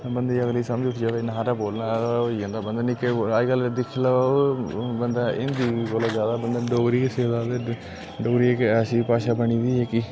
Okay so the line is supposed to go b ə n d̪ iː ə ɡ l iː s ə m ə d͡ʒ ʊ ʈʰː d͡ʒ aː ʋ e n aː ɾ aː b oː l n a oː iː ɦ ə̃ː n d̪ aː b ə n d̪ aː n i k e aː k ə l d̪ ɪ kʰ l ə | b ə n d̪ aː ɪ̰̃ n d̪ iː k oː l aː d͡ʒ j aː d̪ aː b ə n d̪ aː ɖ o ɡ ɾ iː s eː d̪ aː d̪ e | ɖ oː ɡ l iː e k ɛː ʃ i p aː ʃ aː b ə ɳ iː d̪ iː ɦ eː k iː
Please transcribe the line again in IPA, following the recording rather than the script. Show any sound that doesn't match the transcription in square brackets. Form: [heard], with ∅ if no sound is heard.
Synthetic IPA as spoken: b ə n d̪ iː ə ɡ l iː s ə m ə d͡ʒ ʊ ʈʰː d͡ʒ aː ʋ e n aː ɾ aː b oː l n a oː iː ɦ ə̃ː n d̪ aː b ə n d̪ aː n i k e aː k ə l d̪ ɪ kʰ l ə | b ə n d̪ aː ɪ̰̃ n d̪ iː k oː l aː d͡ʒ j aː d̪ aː b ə n d̪ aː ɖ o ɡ ɾ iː s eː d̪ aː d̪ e | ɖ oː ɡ [ɾ] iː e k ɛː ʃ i p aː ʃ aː b ə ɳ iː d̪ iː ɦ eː k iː